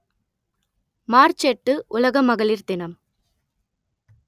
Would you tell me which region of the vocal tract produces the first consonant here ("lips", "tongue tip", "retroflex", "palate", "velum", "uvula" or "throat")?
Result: lips